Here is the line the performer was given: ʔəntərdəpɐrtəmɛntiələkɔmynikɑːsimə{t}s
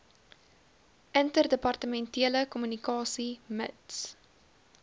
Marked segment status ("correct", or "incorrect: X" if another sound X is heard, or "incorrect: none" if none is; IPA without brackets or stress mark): correct